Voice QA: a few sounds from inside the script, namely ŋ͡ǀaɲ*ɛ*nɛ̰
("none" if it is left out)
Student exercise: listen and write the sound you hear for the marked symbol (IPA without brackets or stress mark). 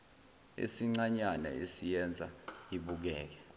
a